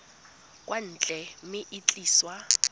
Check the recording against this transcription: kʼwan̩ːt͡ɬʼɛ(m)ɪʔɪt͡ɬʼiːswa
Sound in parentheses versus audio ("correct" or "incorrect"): correct